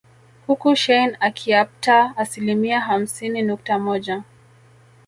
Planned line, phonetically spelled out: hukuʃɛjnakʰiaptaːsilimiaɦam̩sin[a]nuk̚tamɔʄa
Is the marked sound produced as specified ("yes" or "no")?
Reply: no